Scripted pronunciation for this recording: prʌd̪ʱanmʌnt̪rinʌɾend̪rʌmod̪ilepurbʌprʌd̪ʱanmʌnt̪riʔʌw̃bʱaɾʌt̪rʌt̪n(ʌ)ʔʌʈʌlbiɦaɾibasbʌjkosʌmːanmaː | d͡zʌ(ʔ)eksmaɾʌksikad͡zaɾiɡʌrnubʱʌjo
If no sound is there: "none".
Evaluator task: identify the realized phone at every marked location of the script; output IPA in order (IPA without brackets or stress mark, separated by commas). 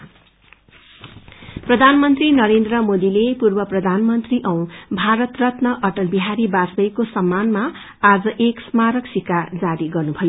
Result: ʌ, ʔ